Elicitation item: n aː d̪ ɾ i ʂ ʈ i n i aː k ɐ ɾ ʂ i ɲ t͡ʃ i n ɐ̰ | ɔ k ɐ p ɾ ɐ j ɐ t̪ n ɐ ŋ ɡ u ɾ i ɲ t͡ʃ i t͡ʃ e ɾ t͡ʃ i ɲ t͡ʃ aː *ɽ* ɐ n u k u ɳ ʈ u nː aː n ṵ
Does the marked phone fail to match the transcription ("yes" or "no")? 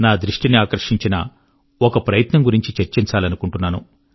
yes